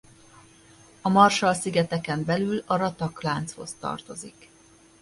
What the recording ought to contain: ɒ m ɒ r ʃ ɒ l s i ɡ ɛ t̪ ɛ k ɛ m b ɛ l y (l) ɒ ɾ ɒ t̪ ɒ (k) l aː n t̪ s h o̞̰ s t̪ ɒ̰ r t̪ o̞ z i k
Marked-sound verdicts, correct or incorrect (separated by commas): correct, correct